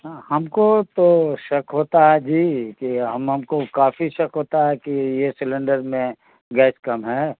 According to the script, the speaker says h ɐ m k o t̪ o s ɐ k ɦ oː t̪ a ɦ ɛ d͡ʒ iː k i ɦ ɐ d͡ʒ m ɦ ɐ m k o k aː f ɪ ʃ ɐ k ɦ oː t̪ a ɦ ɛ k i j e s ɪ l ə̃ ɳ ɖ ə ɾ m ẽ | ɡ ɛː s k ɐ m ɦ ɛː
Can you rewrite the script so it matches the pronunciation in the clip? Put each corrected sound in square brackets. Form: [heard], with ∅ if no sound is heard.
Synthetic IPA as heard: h ɐ m k o t̪ o [ʃ] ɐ k ɦ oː t̪ a ɦ ɛ d͡ʒ iː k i ɦ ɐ [∅] m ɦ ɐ m k o k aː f [i] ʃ ɐ k ɦ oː t̪ a ɦ ɛ k i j e s ɪ l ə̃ ɳ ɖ ə ɾ m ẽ | ɡ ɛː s k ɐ m ɦ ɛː